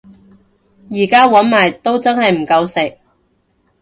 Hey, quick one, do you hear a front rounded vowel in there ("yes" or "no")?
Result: no